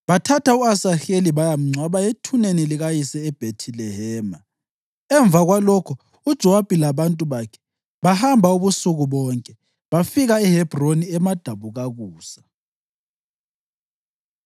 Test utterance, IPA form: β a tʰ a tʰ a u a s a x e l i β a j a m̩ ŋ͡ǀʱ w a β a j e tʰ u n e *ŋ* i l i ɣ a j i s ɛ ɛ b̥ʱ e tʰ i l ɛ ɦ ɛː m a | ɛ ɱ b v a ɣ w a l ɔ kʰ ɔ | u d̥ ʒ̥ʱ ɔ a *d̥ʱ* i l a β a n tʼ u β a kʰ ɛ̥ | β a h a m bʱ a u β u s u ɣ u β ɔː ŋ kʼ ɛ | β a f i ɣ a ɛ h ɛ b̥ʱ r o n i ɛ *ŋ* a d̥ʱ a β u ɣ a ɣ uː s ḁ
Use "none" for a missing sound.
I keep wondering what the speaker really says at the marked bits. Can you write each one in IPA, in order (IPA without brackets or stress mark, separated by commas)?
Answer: n, b̥ʱ, m